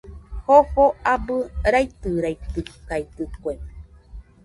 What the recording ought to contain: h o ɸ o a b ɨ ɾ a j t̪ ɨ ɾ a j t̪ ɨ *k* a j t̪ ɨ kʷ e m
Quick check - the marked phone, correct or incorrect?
correct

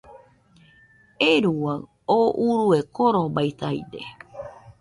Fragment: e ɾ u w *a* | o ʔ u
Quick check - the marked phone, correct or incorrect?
correct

